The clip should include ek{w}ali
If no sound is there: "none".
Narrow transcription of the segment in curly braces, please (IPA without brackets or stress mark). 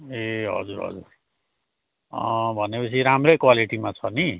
w